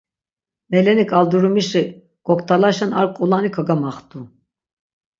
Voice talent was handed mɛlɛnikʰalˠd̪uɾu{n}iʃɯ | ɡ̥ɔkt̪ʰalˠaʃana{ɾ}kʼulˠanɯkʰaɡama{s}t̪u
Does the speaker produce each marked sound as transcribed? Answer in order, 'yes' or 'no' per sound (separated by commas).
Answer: no, yes, no